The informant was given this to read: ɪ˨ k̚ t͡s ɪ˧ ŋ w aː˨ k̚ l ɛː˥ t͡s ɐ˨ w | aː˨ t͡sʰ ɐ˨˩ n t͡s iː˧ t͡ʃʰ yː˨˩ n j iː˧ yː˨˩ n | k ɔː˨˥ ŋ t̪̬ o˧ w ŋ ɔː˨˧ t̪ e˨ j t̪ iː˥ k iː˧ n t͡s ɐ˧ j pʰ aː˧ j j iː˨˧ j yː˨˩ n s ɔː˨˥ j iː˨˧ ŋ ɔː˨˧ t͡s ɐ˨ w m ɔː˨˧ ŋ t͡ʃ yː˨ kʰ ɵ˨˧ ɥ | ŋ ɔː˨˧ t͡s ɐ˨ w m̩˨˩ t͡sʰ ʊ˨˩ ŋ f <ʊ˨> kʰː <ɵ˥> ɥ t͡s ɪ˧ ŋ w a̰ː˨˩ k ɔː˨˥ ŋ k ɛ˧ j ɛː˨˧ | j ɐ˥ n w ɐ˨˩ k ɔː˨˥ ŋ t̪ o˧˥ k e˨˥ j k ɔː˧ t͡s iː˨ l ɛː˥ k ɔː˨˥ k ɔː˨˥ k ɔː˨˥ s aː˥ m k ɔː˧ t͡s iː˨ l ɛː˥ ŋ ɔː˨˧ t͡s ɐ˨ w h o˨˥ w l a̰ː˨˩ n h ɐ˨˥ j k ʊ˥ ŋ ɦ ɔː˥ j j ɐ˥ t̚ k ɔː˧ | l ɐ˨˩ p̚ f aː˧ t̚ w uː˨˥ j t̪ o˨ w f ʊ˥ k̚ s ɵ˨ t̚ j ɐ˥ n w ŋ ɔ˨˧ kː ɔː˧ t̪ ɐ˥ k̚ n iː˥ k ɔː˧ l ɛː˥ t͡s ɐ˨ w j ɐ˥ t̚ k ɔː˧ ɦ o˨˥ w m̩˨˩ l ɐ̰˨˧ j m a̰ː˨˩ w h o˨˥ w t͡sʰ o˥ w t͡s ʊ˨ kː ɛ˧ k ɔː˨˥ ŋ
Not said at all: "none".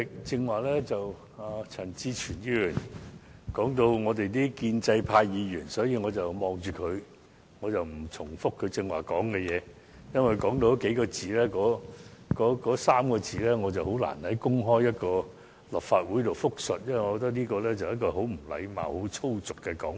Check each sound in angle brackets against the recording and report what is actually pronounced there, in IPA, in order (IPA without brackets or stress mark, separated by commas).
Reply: ʊ˥, ɵ˨˧